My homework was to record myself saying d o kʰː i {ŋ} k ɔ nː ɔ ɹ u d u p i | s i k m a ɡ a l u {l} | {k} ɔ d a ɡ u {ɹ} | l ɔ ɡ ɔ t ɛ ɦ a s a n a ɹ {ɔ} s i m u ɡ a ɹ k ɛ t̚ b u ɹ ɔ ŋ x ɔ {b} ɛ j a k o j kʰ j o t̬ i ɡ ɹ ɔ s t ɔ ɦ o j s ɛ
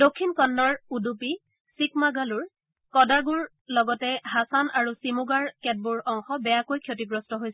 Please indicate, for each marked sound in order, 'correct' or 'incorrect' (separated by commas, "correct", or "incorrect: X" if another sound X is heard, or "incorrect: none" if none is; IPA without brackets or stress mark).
incorrect: n, incorrect: ɹ, correct, correct, incorrect: u, correct